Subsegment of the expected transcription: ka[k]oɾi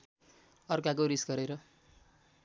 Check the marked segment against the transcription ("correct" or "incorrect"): correct